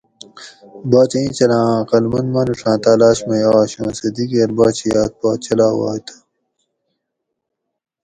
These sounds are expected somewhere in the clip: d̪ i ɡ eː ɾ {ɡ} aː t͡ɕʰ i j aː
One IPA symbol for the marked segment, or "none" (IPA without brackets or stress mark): b